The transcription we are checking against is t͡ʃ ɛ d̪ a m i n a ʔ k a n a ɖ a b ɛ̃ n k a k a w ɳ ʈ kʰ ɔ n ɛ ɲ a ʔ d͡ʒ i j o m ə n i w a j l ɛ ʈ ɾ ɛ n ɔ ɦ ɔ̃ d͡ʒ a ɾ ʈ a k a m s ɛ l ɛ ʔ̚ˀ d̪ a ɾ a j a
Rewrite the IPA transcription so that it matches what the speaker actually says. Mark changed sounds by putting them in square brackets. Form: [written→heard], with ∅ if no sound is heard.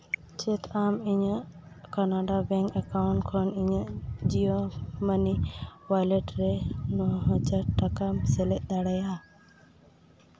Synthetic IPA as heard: t͡ʃ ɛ [d̪→t̪] a m i [n→ɲ] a ʔ k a n a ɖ a b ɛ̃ [n→ŋ] k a k a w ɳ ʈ kʰ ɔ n [ɛ→i] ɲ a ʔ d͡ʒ i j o m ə n i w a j l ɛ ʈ ɾ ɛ n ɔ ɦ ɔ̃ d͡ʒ a ɾ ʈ a k a m s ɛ l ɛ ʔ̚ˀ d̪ a [ɾ→ɽ] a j a